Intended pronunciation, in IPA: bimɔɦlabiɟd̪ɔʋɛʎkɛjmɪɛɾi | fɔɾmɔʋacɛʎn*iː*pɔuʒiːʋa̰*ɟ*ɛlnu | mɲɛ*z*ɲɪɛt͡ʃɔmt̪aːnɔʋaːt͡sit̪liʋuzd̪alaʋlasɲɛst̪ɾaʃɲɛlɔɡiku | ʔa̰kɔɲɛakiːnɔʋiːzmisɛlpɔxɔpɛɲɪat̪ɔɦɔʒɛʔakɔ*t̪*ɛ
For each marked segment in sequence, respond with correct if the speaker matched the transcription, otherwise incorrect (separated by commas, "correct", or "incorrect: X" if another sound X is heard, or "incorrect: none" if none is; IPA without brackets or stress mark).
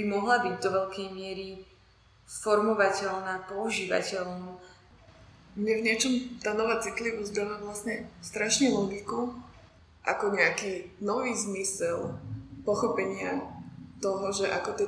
incorrect: aː, incorrect: c, incorrect: v, correct